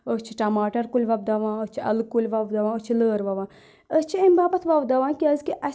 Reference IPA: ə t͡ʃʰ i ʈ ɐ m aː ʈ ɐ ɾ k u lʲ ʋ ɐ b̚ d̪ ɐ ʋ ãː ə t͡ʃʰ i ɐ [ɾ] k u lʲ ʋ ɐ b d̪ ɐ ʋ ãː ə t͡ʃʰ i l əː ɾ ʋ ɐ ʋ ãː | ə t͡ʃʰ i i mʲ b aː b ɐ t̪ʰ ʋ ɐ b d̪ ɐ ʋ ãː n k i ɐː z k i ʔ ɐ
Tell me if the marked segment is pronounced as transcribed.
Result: no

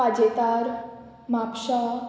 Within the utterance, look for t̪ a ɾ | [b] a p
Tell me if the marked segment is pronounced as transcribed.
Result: no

